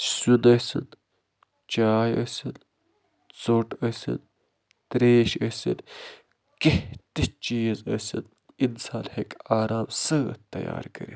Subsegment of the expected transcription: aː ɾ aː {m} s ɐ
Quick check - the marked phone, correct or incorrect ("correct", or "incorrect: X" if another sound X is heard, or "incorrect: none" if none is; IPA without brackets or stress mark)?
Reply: correct